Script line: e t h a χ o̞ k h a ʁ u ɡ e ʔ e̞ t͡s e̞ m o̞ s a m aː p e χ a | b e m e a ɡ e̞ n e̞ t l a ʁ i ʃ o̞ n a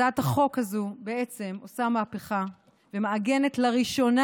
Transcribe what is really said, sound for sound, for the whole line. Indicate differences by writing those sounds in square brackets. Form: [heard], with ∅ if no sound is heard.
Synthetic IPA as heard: [a] t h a χ o̞ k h a [z] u [b] e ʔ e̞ t͡s e̞ m o̞ s a m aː p e χ a | [v] e m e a ɡ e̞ n e̞ t l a ʁ i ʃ o̞ n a